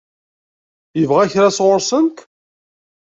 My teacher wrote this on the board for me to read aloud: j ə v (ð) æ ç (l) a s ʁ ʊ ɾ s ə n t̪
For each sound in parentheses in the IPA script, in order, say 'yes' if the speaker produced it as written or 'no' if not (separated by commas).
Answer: no, no